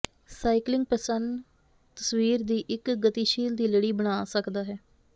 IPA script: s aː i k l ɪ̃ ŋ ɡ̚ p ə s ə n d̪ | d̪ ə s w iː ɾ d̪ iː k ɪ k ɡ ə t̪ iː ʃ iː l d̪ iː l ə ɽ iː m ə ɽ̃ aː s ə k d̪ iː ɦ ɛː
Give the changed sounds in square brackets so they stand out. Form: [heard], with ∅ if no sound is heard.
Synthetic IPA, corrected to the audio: s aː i k l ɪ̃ ŋ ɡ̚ p ə s ə n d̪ | [t̪] ə s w iː ɾ d̪ iː [ʔ] ɪ k ɡ ə t̪ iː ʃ iː l d̪ iː l ə ɽ iː [b] ə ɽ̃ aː s ə k d̪ [aː] ɦ ɛː

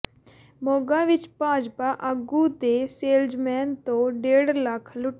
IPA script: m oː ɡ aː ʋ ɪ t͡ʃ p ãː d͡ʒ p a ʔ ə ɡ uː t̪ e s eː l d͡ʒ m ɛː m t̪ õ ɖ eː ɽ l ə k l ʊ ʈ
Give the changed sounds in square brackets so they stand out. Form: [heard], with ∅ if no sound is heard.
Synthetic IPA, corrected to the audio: m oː ɡ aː ʋ ɪ t͡ʃ p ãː d͡ʒ p a ʔ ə ɡ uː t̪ e s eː l d͡ʒ m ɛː [n] t̪ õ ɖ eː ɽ l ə [kʰ] l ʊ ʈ

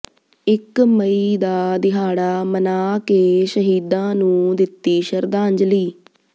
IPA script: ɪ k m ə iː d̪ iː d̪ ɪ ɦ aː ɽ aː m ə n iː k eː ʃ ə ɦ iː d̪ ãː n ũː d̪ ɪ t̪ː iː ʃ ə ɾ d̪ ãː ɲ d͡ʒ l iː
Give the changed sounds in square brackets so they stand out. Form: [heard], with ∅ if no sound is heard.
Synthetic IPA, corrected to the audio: ɪ k m ə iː d̪ [aː] d̪ ɪ ɦ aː ɽ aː m ə n [aː] k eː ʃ ə ɦ iː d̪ ãː n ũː d̪ ɪ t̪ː iː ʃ ə ɾ d̪ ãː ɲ d͡ʒ l iː

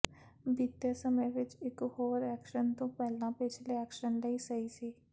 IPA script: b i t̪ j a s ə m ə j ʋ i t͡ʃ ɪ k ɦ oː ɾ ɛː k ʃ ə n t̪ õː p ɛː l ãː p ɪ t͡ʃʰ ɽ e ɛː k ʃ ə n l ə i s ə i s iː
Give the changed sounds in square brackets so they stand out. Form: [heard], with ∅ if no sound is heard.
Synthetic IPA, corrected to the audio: b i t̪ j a s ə m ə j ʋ [ɪ] t͡ʃ ɪ k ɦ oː ɾ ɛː k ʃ ə n t̪ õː p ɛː l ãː p ɪ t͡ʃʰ [l] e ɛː k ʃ ə n l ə i s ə i s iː

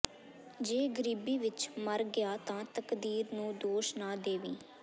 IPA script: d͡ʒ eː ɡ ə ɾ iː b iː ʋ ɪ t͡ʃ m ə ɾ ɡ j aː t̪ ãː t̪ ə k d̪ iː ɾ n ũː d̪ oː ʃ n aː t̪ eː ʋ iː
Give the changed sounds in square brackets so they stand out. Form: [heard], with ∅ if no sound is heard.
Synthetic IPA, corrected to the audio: d͡ʒ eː ɡ ə ɾ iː b iː ʋ ɪ t͡ʃ m ə ɾ ɡ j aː t̪ ãː t̪ ə k d̪ iː ɾ n ũː d̪ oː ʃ n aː [d̪] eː ʋ iː

